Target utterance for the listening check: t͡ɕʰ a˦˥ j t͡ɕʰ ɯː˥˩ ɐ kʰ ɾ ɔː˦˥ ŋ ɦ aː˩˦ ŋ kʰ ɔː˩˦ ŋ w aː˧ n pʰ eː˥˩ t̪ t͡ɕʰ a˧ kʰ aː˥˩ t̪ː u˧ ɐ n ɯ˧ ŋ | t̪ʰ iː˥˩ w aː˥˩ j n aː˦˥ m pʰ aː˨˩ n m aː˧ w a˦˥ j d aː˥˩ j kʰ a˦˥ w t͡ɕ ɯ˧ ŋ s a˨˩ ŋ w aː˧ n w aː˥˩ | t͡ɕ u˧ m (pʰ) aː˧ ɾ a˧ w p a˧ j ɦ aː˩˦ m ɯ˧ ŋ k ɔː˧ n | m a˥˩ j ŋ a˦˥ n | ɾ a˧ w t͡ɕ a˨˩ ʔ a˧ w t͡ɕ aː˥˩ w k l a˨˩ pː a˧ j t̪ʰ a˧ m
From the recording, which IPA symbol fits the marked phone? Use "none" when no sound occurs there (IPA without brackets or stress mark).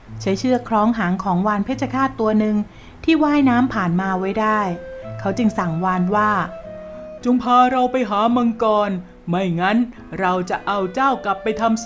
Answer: pʰ